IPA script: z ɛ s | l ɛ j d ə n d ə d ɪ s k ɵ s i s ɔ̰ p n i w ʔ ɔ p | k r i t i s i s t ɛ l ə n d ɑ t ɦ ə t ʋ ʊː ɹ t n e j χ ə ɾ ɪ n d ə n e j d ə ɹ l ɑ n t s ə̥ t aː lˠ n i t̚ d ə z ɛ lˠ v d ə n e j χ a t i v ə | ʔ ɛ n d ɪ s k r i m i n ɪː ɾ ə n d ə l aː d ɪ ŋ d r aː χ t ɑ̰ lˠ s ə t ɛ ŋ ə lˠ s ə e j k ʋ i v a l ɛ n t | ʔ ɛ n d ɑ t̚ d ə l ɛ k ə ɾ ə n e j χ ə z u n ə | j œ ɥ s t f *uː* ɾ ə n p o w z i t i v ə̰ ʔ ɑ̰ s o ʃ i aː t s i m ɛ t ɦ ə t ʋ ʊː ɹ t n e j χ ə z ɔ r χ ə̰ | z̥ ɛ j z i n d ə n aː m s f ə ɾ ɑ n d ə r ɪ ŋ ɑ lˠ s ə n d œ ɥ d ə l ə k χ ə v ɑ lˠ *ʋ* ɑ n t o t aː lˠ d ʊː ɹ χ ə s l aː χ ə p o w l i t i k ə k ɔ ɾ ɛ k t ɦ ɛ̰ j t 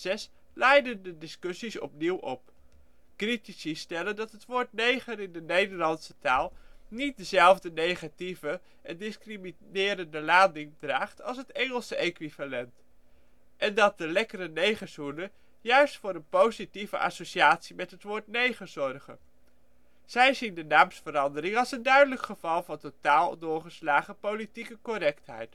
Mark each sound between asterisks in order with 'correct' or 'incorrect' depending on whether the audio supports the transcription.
incorrect: ʊː, incorrect: v

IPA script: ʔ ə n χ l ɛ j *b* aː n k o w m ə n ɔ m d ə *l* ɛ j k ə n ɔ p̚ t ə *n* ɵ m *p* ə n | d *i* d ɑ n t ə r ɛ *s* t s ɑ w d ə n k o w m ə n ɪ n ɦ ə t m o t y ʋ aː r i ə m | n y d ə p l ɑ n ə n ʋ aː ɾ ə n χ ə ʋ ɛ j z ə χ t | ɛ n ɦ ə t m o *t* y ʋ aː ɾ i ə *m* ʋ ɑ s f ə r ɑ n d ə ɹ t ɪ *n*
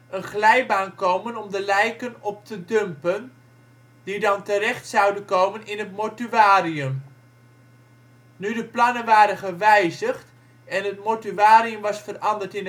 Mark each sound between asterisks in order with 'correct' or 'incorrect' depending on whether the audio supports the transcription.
correct, correct, incorrect: d, correct, correct, incorrect: χ, correct, correct, correct

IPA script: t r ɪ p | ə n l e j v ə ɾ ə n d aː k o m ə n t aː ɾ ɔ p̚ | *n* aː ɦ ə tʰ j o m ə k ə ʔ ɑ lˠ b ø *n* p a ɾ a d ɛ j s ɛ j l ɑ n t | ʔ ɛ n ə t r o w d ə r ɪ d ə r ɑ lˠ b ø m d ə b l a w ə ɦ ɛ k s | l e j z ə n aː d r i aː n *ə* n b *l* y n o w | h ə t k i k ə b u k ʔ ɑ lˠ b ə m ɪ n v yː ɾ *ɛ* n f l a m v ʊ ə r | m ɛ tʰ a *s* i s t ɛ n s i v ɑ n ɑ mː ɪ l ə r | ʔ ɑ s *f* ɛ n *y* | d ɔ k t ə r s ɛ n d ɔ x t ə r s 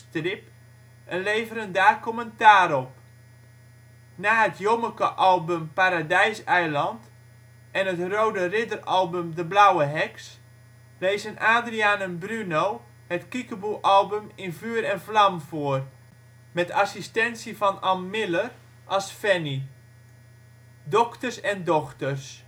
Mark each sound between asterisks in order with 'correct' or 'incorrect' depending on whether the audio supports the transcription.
correct, incorrect: m, correct, incorrect: r, correct, correct, correct, incorrect: i

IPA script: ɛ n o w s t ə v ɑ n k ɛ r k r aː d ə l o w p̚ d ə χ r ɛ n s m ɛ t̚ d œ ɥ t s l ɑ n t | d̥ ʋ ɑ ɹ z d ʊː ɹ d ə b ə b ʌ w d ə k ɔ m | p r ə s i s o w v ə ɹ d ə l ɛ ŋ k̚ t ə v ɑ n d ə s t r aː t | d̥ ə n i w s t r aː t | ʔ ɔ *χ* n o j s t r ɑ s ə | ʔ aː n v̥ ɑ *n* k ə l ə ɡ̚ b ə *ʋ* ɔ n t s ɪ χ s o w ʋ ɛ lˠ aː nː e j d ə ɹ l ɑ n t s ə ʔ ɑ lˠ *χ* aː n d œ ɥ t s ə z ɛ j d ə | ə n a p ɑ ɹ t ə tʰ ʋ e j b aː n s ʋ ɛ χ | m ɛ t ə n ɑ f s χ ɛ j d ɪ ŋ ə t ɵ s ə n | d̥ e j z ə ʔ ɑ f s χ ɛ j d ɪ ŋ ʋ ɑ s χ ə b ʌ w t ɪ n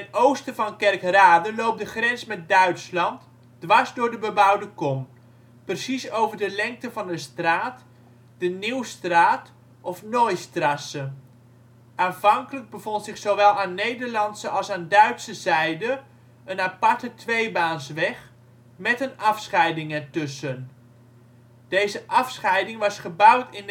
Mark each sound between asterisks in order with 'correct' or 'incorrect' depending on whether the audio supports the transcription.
incorrect: f, incorrect: ŋ, incorrect: v, incorrect: s

